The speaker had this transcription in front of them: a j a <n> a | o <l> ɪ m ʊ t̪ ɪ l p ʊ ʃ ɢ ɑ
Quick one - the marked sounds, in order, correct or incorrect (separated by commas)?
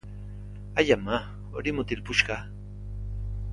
incorrect, incorrect